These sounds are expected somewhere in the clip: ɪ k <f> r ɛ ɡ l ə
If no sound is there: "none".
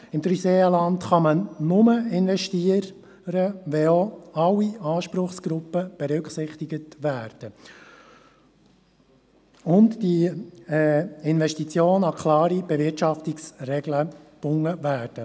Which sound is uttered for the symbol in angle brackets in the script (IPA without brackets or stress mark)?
s